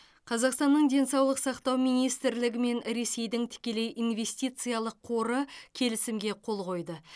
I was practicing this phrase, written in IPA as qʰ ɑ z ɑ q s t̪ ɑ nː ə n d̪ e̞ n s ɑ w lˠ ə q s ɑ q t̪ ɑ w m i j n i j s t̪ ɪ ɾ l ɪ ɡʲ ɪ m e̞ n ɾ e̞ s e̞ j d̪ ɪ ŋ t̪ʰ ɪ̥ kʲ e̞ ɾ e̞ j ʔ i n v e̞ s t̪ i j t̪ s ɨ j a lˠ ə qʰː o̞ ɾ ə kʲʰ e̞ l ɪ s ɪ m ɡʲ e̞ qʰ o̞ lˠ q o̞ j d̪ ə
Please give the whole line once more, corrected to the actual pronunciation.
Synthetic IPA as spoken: qʰ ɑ z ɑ q s t̪ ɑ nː ə ɴ d̪ e̞ n s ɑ w lˠ ə q s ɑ q t̪ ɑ w m i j n i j s t̪ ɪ ɾ l ɪ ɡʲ ɪ m e̞ n ɾ e̞ s e̞ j d̪ ɪ ŋ t̪ʰ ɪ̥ kʲ e̞ l e̞ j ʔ i n v e̞ s t̪ i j t̪ s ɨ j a lˠ ə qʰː o̞ ɾ ə kʲʰ e̞ l ɪ s ɪ m ɡʲ e̞ qʰ o̞ lˠ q o̞ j d̪ ə